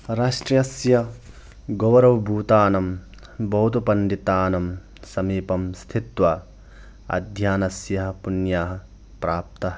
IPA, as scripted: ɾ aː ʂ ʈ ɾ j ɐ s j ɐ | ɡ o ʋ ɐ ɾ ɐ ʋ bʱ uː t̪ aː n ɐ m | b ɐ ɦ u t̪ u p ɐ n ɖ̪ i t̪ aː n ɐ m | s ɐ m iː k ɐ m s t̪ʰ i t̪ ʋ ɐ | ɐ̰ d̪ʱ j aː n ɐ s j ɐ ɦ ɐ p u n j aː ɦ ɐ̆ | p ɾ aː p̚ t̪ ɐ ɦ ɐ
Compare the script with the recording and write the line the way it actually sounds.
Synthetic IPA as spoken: ɾ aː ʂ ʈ ɾ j ɐ s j ɐ | ɡ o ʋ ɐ ɾ ɐ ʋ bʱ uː t̪ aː n ɐ m | b ɐ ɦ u t̪ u p ɐ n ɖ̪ i t̪ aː n ɐ m | s ɐ m iː p ɐ m s t̪ʰ i t̪ ʋ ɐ | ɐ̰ d̪ʱ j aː n ɐ s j ɐ ɦ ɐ p u n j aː ɦ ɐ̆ | p ɾ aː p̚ t̪ ɐ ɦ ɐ

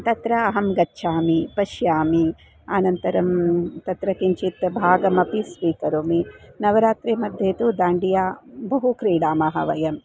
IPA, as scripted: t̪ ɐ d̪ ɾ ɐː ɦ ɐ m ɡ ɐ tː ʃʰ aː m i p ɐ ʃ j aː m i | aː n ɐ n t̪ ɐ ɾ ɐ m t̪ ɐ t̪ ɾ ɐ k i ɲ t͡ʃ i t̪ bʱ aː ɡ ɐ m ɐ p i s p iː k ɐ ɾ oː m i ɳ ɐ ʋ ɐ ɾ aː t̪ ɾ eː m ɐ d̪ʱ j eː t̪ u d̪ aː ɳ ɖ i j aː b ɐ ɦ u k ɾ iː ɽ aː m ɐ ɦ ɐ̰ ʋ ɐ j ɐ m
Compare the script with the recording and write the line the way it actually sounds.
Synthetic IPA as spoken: t̪ ɐ t̪ ɾ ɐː ɦ ɐ m ɡ ɐ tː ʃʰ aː m i p ɐ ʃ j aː m i | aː n ɐ n t̪ ɐ ɾ ɐ m t̪ ɐ t̪ ɾ ɐ k i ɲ t͡ʃ i t̪ bʱ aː ɡ ɐ m ɐ p i s p iː k ɐ ɾ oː m i n ɐ ʋ ɐ ɾ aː t̪ ɾ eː m ɐ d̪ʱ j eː t̪ u d̪ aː ɳ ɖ i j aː b ɐ ɦ u k ɾ iː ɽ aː m ɐ ɦ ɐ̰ ʋ ɐ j ɐ m

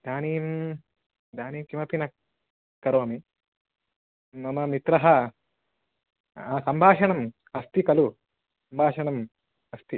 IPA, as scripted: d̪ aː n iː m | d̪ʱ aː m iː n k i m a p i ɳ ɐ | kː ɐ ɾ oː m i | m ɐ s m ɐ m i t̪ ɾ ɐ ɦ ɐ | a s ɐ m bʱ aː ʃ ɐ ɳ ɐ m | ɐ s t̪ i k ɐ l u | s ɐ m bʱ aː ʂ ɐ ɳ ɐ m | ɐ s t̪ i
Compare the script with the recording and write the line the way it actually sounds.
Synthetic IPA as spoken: d̪ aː n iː m | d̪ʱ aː n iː m k i m ɐ p i n ɐ | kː ɐ ɾ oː m i | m ɐ m ɐ m i t̪ ɾ ɐ ɦ ɐ | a s ɐ m bʱ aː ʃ ɐ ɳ ɐ m | ɐ s t̪ i k ɐ l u | s ɐ m bʱ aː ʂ ɐ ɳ ɐ m | ɐ s t̪ i

